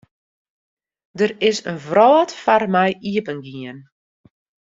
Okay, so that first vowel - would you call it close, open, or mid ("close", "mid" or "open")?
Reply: mid